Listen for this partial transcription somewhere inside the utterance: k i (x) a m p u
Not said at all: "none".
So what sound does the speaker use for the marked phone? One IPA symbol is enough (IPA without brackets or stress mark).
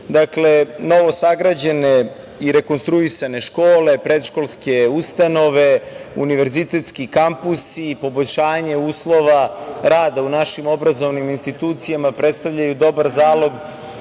k